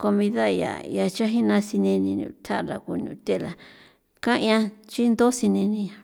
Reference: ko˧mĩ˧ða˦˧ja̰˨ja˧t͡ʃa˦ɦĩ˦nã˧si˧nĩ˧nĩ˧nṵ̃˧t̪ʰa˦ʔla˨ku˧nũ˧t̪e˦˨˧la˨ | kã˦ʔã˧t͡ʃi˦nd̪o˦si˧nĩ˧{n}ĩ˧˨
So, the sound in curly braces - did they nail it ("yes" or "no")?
yes